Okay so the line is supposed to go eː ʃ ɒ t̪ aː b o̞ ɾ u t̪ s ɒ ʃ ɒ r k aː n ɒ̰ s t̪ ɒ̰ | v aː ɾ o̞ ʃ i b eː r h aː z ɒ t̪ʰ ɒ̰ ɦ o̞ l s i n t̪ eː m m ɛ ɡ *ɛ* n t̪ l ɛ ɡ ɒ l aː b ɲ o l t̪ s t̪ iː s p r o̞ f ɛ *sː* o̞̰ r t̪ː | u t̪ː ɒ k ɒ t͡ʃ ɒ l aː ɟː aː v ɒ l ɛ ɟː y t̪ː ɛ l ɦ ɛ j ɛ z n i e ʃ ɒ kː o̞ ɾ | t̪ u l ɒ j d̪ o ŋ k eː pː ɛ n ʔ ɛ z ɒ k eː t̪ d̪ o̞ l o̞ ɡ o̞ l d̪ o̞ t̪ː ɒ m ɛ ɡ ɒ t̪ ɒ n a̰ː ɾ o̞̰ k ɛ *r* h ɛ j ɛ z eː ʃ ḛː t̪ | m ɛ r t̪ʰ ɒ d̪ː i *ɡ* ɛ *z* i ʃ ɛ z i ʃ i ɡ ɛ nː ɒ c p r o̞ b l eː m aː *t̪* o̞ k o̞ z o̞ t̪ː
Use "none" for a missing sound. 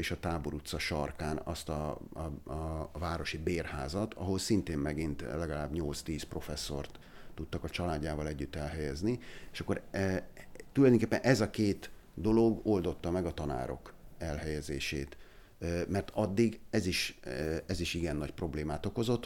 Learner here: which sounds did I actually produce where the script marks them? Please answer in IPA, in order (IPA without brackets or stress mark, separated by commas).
i, sː, l, ɡ, z, t̪